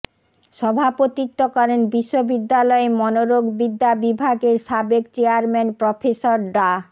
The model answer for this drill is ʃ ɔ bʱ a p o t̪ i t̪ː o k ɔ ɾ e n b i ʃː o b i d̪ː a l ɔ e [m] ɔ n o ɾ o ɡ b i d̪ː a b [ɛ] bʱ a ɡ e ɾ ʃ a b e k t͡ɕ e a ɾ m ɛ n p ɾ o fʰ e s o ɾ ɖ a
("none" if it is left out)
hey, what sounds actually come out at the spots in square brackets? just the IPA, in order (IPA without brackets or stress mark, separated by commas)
m, i